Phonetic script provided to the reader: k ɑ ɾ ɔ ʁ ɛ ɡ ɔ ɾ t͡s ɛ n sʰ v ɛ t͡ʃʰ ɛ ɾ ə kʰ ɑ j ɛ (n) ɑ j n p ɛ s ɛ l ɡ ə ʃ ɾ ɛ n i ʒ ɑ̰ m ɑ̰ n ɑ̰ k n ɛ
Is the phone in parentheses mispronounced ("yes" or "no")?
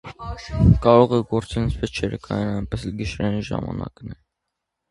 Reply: no